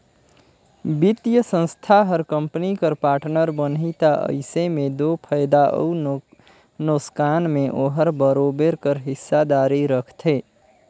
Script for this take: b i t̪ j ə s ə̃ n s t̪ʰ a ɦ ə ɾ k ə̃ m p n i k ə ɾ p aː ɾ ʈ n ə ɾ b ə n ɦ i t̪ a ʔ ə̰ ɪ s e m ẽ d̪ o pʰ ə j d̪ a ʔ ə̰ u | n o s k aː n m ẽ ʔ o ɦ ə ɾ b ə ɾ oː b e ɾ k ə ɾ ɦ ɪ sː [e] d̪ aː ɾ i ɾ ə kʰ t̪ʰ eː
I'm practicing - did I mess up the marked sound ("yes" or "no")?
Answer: yes